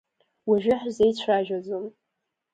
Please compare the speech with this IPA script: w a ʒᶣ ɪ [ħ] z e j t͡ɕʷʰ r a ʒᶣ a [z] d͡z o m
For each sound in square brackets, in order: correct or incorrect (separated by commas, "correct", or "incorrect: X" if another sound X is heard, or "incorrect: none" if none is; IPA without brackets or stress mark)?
correct, incorrect: none